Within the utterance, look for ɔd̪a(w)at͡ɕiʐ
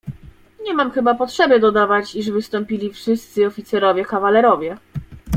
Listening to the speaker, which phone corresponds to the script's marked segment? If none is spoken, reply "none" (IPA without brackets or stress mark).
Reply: v